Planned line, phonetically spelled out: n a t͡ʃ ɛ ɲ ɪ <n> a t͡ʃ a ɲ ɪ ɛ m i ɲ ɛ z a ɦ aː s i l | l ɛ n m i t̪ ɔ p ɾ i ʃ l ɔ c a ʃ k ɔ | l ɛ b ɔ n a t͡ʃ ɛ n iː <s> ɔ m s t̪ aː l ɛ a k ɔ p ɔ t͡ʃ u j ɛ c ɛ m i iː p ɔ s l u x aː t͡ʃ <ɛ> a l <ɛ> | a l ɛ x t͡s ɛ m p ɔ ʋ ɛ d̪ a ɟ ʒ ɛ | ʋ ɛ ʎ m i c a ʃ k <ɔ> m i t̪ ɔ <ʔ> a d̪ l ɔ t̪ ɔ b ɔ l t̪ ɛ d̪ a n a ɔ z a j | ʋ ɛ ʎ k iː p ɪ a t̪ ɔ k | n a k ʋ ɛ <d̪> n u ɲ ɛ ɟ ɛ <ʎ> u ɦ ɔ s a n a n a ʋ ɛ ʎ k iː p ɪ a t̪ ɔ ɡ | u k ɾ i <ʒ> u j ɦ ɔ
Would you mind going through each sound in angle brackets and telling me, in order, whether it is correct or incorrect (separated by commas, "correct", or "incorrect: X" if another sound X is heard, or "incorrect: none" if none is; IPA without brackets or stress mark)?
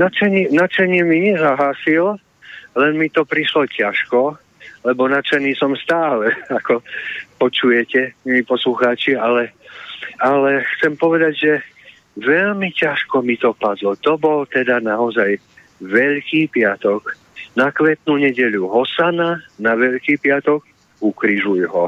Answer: correct, correct, incorrect: i, correct, correct, incorrect: p, incorrect: t̪, correct, correct